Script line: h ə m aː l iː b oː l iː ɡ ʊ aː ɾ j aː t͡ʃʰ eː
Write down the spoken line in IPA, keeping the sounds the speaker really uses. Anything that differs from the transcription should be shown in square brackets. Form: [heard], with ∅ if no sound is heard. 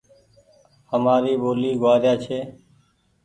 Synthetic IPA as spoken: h ə m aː [ɾ] iː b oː l iː ɡ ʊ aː ɾ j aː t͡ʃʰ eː